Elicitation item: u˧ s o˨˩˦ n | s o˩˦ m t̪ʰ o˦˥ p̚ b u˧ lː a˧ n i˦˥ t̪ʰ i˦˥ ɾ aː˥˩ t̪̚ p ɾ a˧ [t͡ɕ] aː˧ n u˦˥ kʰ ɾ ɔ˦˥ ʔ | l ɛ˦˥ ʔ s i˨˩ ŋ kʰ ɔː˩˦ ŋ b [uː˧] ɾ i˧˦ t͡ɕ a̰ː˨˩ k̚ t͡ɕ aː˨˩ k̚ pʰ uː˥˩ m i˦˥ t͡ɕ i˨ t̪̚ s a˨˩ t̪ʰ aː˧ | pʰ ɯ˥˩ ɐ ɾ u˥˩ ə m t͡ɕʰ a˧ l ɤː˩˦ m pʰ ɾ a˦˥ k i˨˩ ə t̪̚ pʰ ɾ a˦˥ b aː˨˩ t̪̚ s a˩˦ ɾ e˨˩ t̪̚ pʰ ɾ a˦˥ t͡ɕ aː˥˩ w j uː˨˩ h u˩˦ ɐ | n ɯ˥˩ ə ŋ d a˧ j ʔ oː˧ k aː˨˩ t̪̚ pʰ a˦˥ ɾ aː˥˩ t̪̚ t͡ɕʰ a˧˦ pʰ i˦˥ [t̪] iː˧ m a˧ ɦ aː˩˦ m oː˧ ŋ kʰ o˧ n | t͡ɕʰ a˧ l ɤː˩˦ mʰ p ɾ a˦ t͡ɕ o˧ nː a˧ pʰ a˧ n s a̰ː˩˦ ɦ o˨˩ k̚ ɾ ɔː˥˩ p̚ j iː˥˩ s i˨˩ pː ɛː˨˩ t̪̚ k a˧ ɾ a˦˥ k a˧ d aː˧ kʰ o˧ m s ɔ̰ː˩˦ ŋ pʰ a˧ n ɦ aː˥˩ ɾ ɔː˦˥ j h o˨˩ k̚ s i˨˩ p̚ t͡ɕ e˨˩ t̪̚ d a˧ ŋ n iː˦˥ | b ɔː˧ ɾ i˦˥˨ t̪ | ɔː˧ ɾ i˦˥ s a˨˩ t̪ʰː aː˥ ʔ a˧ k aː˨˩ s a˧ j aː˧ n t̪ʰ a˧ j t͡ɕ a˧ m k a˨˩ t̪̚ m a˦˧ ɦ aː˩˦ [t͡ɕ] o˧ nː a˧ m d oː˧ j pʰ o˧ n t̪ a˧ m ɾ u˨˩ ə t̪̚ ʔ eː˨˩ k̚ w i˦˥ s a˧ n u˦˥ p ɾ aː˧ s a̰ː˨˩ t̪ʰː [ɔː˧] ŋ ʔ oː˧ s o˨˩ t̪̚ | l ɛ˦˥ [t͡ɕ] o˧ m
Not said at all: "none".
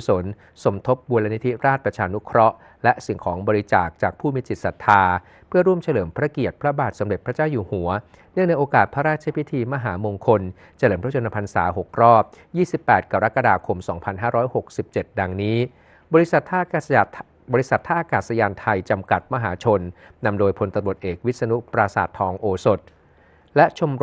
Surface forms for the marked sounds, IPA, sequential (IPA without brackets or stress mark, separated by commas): t͡ɕʰ, ɔː˧, t̪ʰ, t͡ɕʰ, ɔː˧, t͡ɕʰ